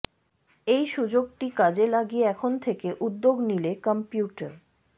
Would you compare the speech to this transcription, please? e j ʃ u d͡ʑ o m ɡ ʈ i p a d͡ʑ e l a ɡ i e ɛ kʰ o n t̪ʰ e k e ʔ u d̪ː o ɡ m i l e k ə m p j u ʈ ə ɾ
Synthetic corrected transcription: e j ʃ u d͡ʑ o ɡ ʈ i k a d͡ʑ e l a ɡ i e ɛ kʰ o n t̪ʰ e k e ʔ u d̪ː o ɡ n i l e k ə m p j u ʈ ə ɾ